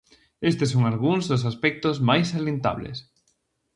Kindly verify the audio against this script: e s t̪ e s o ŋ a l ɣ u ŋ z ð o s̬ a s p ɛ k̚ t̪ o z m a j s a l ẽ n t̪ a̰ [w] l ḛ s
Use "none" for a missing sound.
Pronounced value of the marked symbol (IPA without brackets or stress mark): β